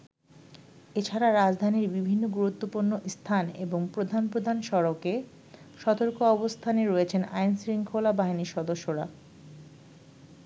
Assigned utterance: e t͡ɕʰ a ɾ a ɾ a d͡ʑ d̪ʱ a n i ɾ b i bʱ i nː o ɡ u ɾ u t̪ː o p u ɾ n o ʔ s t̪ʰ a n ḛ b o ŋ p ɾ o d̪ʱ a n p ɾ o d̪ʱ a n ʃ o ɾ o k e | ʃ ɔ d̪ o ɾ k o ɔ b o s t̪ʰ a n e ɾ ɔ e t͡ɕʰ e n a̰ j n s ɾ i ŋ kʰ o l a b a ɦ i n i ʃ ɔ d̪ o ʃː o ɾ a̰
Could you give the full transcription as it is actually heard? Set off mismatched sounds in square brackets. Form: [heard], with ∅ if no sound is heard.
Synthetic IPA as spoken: e t͡ɕʰ a ɾ a ɾ a d͡ʑ d̪ʱ a n i ɾ b i bʱ i nː o ɡ u ɾ u t̪ː o p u ɾ n o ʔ s t̪ʰ a n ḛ b o ŋ p ɾ o d̪ʱ a n p ɾ o d̪ʱ a n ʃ [ɔ] ɾ o k e | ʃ ɔ [t̪] o ɾ k o ɔ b o s t̪ʰ a n e ɾ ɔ e t͡ɕʰ e n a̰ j n s ɾ i ŋ kʰ o l a b a ɦ i n i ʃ ɔ d̪ o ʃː o ɾ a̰